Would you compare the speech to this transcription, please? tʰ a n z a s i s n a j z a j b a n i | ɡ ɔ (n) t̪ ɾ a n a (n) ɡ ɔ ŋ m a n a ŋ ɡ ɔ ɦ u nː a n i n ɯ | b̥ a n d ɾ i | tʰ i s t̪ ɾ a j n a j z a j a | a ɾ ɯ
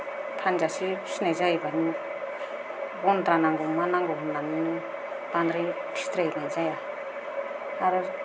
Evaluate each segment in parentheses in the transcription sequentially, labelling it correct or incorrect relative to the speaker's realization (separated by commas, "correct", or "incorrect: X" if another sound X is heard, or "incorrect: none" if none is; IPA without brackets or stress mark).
correct, incorrect: ŋ